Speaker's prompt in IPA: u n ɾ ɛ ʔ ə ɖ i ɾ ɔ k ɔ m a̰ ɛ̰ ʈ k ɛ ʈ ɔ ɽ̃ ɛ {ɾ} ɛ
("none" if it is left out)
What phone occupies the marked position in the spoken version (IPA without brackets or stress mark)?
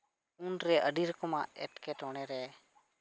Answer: ɾ